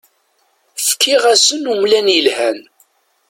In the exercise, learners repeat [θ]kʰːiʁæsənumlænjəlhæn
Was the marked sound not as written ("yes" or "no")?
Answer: yes